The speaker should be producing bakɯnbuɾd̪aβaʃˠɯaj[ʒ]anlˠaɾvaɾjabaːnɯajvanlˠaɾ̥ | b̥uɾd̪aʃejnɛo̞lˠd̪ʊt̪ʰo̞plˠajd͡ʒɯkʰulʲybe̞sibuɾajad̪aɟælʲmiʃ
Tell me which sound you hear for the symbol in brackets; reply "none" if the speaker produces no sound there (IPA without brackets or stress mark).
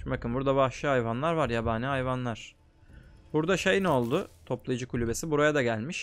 v